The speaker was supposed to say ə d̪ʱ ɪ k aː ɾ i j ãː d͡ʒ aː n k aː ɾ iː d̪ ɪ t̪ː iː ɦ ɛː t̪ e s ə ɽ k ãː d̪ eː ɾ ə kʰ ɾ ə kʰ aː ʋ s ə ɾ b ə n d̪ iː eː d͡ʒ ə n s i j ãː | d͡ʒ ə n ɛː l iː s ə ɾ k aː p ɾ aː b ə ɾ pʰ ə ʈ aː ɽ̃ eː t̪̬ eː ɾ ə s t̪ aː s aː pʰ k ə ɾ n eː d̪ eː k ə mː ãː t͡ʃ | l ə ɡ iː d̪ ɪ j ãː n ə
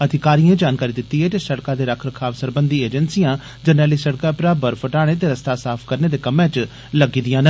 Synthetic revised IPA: ə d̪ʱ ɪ k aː ɾ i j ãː d͡ʒ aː n k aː ɾ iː d̪ ɪ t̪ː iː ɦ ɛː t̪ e s ə ɽ k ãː d̪ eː ɾ ə kʰ ɾ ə kʰ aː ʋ s ə ɾ b ə n d̪ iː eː d͡ʒ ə n s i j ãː | d͡ʒ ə n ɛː l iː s ə ɽ k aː p ɾ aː b ə ɾ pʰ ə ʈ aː ɽ̃ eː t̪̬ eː ɾ ə s t̪ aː s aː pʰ k ə ɾ n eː d̪ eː k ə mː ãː t͡ʃ | l ə ɡ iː d̪ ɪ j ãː n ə